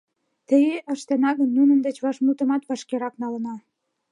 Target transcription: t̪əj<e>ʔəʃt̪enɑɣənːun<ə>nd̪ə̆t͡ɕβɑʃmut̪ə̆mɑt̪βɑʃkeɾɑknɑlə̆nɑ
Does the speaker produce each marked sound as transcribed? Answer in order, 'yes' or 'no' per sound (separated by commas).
yes, yes